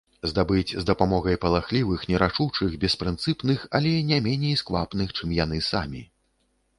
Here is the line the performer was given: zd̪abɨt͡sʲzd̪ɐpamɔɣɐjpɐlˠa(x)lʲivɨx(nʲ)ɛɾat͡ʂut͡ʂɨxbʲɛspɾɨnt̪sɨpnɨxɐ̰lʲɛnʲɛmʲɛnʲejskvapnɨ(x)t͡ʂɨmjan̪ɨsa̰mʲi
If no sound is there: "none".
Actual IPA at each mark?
x, nʲ, x

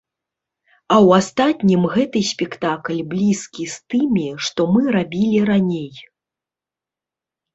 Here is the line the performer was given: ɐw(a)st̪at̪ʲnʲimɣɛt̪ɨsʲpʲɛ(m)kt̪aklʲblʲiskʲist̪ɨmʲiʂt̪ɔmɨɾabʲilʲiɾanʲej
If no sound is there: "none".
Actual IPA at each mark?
a, none

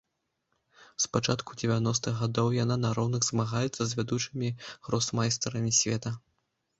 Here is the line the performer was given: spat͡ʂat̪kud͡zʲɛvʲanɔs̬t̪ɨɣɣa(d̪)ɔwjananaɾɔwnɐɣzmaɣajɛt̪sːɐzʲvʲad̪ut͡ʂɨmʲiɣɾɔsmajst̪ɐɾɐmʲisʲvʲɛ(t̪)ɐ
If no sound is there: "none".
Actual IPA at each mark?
d̪, t̪

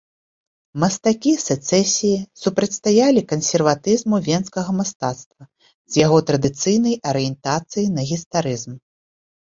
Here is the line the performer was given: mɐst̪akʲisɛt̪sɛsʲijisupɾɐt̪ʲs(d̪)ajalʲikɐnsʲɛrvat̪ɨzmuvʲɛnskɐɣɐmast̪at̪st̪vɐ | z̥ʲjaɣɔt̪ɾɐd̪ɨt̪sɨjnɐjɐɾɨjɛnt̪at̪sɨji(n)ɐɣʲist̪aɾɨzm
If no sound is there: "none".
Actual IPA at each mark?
t̪, n

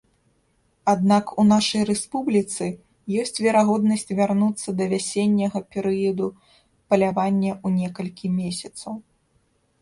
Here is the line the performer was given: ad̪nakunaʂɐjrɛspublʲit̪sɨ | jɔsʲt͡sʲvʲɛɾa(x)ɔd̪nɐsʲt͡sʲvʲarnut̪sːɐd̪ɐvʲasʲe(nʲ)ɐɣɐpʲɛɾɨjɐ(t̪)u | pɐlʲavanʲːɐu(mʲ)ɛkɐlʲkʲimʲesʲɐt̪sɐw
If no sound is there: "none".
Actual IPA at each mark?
ɣ, nʲː, d̪, nʲ

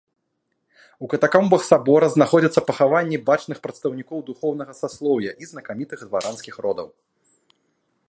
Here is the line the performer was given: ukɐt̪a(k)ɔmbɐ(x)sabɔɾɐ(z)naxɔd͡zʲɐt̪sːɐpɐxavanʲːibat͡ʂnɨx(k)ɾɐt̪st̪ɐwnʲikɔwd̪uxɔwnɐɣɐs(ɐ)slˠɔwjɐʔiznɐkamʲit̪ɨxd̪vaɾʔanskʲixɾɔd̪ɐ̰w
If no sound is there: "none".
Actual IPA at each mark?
k, x, z, p, a

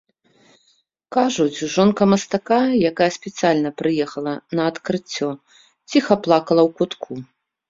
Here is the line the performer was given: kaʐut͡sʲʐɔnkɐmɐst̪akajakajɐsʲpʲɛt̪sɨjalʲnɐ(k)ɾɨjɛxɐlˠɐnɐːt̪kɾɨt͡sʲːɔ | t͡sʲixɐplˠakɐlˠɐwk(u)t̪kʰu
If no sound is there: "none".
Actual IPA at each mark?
p, u

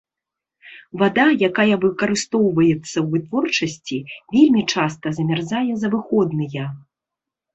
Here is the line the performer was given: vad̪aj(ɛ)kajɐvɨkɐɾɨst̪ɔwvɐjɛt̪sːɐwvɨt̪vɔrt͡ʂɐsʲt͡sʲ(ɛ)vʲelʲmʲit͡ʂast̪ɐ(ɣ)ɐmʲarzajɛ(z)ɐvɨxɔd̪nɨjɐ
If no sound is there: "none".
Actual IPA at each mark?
a, i, z, z

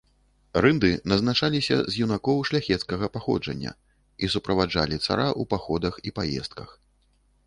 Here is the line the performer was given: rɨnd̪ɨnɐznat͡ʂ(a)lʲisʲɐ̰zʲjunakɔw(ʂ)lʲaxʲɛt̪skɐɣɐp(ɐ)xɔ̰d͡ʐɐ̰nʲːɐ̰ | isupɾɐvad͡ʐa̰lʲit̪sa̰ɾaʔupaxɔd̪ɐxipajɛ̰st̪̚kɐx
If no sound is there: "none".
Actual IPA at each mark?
a, ʂ, a

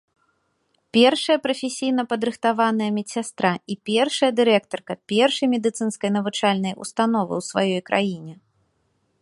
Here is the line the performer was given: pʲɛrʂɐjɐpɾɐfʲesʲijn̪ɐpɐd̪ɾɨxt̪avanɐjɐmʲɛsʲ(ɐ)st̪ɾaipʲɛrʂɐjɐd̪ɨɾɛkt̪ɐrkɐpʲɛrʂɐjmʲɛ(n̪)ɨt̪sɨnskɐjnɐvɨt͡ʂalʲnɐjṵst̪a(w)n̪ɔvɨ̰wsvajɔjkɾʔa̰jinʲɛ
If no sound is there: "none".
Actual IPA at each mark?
a, d̪, none

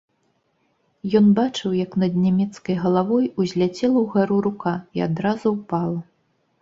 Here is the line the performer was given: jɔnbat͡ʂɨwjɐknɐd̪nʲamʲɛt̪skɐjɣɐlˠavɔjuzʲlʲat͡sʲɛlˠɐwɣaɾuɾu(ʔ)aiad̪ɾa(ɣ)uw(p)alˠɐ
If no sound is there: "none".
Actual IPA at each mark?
k, z, p

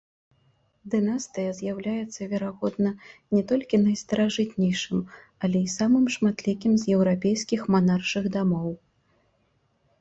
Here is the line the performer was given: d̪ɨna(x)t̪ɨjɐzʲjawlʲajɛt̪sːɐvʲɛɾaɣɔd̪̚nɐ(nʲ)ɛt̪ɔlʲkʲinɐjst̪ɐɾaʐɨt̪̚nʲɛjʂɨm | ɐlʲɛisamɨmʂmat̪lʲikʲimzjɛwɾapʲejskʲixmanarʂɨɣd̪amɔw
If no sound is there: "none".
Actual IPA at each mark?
s, nʲ

